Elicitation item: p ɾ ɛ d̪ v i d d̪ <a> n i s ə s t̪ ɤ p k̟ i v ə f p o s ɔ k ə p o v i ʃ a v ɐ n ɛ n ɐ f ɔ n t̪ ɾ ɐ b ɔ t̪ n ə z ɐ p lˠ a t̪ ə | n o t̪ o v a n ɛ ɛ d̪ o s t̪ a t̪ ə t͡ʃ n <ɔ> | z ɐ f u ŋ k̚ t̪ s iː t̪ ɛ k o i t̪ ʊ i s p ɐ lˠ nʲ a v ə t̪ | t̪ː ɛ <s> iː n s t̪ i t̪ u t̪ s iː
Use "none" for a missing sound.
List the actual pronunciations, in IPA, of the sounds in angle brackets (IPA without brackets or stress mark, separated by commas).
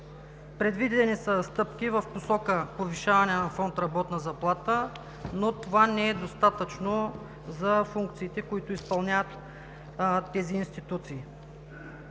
ɛ, o, z